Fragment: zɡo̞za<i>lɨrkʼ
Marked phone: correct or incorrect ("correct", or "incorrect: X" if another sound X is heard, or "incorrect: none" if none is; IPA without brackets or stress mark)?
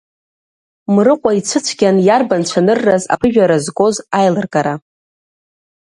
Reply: incorrect: j